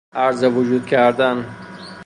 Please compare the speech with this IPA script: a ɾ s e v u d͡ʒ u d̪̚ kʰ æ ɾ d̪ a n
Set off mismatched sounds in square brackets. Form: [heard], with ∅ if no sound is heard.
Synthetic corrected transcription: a ɾ [z] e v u d͡ʒ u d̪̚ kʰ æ ɾ d̪ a n

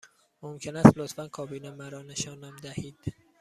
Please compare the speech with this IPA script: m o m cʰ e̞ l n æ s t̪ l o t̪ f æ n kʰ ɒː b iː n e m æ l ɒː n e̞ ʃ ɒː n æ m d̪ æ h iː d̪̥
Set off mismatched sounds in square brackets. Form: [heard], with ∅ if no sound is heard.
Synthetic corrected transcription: m o m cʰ e̞ [∅] n æ s t̪ l o t̪ f æ n kʰ ɒː b iː n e m æ [ɾ] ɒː n e̞ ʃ ɒː n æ m d̪ æ h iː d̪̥

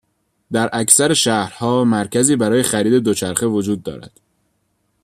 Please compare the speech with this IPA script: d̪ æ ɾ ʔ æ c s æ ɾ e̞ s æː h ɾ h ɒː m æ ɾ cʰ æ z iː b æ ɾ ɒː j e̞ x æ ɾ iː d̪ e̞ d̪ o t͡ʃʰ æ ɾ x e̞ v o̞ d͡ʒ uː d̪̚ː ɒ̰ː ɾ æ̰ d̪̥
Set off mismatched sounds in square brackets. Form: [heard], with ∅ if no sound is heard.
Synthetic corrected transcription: d̪ æ ɾ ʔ æ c s æ ɾ e̞ [ʃ] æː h ɾ h ɒː m æ ɾ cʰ æ z iː b æ ɾ ɒː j e̞ x æ ɾ iː d̪ e̞ d̪ o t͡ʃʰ æ ɾ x e̞ v o̞ d͡ʒ uː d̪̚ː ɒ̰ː ɾ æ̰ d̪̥

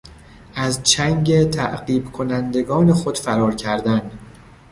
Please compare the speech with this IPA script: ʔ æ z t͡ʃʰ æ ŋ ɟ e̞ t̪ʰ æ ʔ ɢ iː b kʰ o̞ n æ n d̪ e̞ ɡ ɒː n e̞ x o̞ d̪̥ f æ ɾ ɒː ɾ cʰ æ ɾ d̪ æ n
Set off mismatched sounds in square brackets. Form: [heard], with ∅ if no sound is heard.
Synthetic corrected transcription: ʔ æ z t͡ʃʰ æ ŋ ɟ e̞ t̪ʰ æ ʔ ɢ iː b kʰ o̞ n æ n d̪ e̞ ɡ ɒː n e̞ x o̞ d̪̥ f æ ɾ ɒː ɾ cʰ æ ɾ d̪ æ n

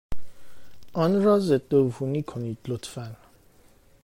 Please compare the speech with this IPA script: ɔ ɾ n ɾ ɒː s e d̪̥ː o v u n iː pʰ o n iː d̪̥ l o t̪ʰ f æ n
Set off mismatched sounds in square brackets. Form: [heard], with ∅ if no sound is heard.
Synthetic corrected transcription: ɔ [∅] n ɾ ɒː [z] e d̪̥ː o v u n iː [kʰ] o n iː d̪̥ l o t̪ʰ f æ n

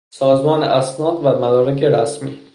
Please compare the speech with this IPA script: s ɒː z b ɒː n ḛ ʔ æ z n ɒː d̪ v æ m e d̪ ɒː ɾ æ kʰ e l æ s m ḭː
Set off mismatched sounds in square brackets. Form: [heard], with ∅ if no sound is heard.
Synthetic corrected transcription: s ɒː z [m] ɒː n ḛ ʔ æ [s] n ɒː d̪ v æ m [æ] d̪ ɒː ɾ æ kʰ e [ɾ] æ s m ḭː

